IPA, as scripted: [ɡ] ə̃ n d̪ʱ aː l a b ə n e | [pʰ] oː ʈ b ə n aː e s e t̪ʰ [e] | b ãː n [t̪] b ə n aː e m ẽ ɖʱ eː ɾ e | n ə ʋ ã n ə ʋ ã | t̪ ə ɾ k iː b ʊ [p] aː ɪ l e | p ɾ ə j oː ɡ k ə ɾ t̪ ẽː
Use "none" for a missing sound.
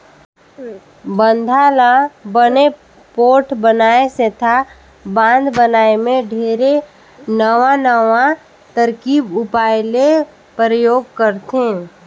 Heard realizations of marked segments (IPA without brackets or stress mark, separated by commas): b, p, a, d̪, p